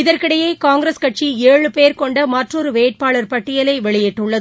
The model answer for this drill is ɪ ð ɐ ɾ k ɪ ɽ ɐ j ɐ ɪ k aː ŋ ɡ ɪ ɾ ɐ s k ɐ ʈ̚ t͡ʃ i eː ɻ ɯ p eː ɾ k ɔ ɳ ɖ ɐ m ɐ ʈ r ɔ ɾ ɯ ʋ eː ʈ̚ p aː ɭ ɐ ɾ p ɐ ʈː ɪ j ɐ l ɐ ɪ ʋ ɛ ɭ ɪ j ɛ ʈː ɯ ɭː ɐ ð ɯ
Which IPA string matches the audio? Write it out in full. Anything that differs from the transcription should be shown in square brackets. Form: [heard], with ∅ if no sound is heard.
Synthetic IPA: ɪ ð ɐ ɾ k ɪ ɽ ɐ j ɐ ɪ k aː ŋ ɡ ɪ ɾ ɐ s k ɐ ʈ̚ t͡ʃ i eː ɻ ɯ p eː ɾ k ɔ ɳ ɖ ɐ m ɐ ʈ r ɔ ɾ ɯ ʋ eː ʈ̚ p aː ɭ ɐ ɾ p ɐ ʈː ɪ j ɐ l ɐ ɪ ʋ ɛ ɭ ɪ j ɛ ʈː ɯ ɭː ɐ ð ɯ